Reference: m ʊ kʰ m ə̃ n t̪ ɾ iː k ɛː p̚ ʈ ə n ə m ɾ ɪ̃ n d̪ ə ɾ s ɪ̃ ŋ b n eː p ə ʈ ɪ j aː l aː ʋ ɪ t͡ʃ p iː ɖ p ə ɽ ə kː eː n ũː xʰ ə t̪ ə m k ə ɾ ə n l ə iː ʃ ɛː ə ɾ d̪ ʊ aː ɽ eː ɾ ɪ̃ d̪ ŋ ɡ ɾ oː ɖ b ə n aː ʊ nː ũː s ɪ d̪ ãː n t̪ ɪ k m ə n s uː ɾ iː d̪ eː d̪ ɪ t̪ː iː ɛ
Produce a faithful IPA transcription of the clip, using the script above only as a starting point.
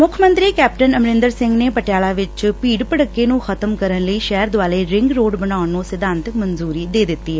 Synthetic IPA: m ʊ kʰ m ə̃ n t̪ ɾ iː k ɛː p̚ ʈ ə n ə m ɾ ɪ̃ n d̪ ə ɾ s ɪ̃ ŋ ɡ n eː p ə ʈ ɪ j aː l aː ʋ ɪ t͡ʃ p iː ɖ p ə ɽ ə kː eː n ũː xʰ ə t̪ ə m k ə ɾ ə n l ə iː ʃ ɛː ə ɾ d̪ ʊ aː l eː ɾ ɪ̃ ŋ ɡ ɾ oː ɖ b ə n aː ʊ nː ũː s ɪ d̪ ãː n t̪ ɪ k m ə n z uː ɾ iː d̪ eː d̪ ɪ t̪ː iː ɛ